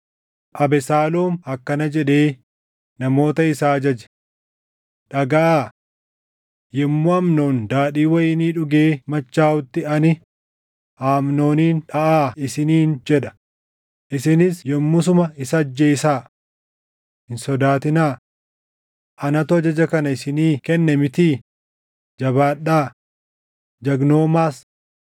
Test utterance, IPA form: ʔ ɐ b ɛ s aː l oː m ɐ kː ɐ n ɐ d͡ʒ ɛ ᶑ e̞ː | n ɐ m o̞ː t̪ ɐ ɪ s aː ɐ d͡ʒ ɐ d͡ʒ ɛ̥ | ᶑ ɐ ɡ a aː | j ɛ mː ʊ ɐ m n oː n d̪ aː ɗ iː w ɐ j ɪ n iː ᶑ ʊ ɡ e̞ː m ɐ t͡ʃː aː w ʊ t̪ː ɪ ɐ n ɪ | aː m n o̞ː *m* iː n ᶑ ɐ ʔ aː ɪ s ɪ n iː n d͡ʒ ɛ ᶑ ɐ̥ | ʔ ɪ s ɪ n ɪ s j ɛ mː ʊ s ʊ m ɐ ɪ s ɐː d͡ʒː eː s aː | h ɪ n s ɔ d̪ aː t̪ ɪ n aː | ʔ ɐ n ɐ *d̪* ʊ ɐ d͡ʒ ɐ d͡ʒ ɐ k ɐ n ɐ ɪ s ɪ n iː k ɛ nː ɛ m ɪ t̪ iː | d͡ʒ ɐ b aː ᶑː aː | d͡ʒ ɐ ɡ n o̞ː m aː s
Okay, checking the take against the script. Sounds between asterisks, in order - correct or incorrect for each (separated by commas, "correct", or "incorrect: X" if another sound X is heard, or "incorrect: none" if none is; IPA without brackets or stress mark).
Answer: incorrect: n, incorrect: t̪